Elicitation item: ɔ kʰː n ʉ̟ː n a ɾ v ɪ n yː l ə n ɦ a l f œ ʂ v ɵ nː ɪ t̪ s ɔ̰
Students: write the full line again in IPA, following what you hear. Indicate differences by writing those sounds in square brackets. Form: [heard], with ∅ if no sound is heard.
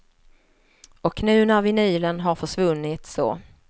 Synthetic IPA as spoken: ɔ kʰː n ʉ̟ː n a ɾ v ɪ n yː l ə n ɦ a [ɾ] f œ ʂ v ɵ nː ɪ t̪ s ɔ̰